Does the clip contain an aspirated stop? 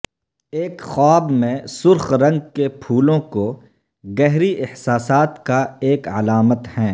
yes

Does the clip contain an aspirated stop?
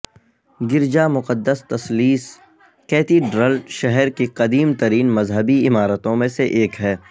no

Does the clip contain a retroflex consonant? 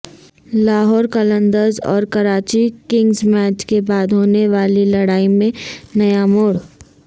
yes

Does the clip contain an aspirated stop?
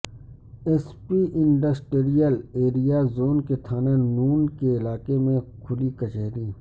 yes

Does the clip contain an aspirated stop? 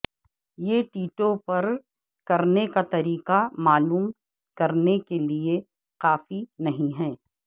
no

